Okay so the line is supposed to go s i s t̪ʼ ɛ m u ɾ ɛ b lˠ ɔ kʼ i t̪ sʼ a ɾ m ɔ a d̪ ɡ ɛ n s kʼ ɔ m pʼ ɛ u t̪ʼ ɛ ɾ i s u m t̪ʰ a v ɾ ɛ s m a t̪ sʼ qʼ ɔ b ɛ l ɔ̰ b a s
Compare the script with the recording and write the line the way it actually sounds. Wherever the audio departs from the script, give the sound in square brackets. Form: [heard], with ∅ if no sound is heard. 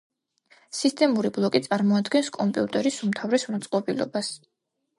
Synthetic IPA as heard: s i s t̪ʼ ɛ m u ɾ [i] b lˠ ɔ kʼ i t̪ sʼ a ɾ m ɔ a d̪ ɡ ɛ n s kʼ ɔ m pʼ [i] u t̪ʼ ɛ ɾ i s u m t̪ʰ a v ɾ ɛ s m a t̪ sʼ qʼ ɔ b [i] l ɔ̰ b a s